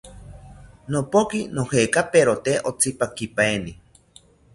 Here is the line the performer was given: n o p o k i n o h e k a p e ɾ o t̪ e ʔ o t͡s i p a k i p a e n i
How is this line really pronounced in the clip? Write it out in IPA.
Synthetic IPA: n o p o k i n o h e k a p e ɾ o t̪ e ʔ o t͡s i p a k i p a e n i